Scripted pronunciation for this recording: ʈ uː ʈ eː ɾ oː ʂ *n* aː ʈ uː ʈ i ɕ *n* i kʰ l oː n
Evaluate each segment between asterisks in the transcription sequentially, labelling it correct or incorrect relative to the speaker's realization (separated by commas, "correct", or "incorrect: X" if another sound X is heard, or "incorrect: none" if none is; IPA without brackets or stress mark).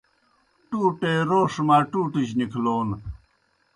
incorrect: m, correct